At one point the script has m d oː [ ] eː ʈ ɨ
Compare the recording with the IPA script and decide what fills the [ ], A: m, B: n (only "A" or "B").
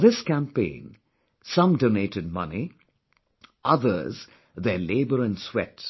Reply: B